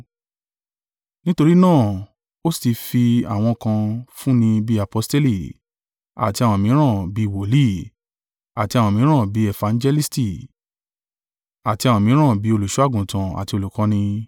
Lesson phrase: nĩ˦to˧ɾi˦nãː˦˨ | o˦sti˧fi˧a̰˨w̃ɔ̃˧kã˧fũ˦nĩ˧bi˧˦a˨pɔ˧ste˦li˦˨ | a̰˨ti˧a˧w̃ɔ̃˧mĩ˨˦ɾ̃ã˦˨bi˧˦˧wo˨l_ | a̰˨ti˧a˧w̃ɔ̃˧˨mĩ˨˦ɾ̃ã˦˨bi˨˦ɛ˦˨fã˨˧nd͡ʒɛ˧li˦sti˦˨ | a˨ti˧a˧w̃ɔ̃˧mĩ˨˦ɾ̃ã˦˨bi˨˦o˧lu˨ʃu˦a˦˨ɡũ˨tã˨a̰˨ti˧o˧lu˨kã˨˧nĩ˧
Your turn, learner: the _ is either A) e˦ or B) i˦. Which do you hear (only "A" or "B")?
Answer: B